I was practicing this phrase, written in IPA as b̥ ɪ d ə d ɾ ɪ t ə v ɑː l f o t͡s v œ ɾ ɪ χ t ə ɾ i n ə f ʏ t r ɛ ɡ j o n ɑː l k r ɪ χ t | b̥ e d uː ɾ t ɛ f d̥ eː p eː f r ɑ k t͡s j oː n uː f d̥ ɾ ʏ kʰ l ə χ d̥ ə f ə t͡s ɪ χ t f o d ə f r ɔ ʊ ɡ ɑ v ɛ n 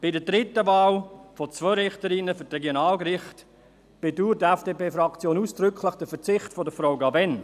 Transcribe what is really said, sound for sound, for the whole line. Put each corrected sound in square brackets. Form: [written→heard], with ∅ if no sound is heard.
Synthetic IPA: b̥ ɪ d ə d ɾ ɪ t ə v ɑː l f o t͡s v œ ɾ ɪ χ t ə ɾ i n ə f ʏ t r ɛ ɡ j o n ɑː l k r ɪ χ t | b̥ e d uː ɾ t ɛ f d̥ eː p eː f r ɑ k t͡s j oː n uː [f→s] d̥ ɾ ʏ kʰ l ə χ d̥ ə f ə t͡s ɪ χ t f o d ə f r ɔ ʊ ɡ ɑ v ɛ n